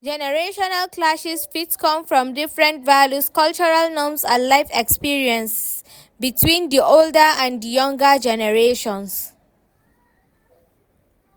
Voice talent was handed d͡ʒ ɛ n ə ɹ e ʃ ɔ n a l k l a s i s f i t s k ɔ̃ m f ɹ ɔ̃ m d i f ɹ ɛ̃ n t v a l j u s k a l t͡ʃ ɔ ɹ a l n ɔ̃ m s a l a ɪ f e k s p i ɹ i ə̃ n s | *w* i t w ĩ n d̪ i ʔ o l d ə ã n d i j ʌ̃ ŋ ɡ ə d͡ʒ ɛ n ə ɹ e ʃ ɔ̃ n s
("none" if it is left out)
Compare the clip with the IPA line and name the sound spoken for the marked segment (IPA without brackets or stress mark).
b